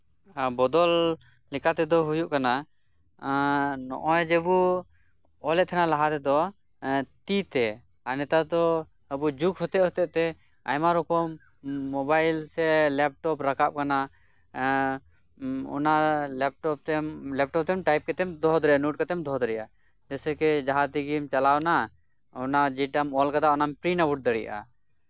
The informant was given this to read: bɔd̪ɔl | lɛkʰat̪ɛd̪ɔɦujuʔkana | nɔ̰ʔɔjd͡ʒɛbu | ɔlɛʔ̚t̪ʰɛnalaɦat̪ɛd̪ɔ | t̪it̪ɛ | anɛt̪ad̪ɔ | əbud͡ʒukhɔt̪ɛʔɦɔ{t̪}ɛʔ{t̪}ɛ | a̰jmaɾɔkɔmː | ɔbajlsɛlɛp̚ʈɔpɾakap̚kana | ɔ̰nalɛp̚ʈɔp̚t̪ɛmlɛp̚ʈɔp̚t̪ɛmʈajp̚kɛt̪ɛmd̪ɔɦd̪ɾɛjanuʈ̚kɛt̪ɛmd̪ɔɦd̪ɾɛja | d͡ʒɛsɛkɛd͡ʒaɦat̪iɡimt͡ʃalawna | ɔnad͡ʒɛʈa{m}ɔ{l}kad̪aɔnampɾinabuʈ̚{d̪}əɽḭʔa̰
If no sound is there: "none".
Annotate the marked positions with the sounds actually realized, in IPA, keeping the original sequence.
t̪, t̪, m, l, d̪

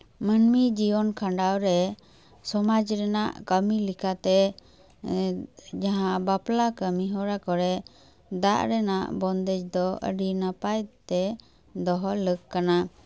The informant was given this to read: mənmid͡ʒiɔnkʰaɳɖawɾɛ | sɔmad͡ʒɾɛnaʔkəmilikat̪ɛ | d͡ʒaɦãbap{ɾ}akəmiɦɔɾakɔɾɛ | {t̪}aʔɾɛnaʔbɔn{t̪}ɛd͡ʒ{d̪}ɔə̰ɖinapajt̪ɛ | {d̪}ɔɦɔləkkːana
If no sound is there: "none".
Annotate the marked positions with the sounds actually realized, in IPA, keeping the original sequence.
l, d̪, d̪, d̪, d̪

